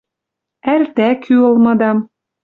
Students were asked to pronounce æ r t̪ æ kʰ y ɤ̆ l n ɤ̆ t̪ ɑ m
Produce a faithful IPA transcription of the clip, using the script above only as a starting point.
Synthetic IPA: æ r t̪ æ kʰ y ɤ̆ l m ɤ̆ d̪ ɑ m